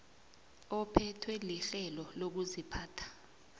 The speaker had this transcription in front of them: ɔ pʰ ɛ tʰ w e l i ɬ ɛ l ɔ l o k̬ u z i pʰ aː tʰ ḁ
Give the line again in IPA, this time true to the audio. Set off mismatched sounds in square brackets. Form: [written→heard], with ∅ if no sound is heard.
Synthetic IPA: ɔ pʰ ɛ tʰ w [e→ɛ] l i ɬ ɛ l ɔ l o k̬ u z i pʰ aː tʰ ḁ